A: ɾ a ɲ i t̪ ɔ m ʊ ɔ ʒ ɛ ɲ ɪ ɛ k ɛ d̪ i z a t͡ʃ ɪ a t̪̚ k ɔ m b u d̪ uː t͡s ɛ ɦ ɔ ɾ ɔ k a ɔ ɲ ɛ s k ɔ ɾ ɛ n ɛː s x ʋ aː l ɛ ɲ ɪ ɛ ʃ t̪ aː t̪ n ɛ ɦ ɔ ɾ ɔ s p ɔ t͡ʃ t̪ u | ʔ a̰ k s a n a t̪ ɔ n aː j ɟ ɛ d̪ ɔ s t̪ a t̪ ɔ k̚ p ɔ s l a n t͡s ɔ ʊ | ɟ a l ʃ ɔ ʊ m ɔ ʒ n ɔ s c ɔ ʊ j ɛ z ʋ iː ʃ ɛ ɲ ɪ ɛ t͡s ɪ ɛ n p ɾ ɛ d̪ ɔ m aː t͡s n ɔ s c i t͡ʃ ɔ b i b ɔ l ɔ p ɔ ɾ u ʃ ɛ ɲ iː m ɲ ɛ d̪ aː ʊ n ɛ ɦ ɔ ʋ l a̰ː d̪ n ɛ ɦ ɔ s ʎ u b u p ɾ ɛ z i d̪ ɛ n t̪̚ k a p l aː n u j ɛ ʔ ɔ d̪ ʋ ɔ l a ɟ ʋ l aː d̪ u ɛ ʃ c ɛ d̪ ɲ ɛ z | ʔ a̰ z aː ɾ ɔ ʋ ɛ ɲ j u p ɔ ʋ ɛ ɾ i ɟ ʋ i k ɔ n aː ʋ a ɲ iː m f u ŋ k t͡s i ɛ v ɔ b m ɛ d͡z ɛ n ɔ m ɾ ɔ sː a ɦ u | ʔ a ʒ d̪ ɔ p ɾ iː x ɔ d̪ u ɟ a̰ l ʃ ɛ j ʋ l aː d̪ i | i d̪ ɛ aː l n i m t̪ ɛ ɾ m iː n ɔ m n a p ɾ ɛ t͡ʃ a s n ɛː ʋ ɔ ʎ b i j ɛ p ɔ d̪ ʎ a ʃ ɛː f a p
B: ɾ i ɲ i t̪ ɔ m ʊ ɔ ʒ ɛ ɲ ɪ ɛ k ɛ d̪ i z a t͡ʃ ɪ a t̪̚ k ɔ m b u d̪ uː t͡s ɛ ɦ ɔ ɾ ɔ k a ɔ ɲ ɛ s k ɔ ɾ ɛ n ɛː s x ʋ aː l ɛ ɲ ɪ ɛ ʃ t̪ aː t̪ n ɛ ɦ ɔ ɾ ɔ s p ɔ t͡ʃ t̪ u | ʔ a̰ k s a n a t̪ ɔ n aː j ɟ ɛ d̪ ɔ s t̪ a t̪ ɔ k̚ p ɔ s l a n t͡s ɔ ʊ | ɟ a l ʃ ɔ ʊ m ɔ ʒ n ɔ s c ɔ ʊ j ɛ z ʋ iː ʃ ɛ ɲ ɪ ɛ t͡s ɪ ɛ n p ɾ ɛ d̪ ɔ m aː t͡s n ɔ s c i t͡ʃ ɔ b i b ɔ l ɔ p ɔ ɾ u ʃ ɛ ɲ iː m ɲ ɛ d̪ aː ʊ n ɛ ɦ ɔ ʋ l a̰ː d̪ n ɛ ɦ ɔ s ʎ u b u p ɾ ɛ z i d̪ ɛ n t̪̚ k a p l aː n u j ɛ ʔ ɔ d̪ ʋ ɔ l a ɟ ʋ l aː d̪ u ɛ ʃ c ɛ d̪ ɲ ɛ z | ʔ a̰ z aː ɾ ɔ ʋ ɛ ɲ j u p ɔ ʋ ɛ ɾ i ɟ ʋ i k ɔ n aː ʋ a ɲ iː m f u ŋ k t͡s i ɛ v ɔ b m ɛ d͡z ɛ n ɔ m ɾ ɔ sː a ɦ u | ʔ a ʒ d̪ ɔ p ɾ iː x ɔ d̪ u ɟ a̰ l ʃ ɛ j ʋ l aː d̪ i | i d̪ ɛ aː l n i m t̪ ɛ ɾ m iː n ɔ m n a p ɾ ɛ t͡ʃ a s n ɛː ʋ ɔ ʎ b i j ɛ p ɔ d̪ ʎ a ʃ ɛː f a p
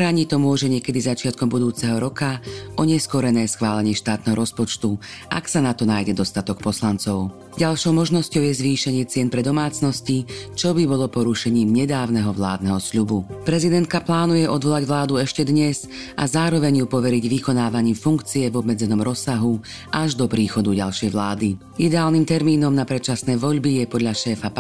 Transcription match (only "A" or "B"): A